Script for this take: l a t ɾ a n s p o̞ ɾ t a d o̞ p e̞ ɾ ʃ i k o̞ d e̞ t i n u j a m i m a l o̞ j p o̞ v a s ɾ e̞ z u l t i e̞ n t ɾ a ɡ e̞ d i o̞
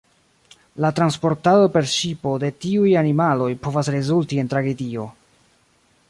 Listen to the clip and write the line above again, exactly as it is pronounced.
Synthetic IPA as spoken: l a t ɾ a n s p o̞ ɾ t a d o̞ p e̞ ɾ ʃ i p o̞ d e̞ t i u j a n i m a l o̞ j p o̞ v a s ɾ e̞ z u l t i e̞ n t ɾ a ɡ e̞ d i o̞